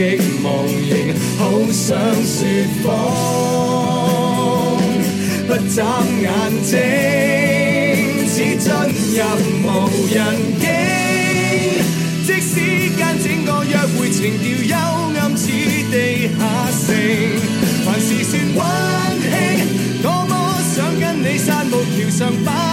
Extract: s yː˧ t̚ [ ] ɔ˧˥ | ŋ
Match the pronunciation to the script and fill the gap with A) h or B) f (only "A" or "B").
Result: B